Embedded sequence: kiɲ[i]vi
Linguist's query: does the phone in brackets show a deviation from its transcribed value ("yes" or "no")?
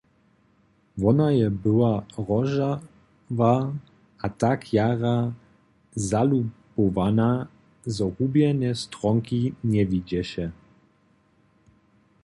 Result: yes